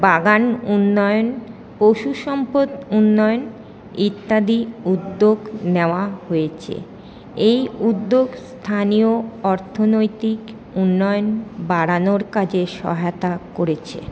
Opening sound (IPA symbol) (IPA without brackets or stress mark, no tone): b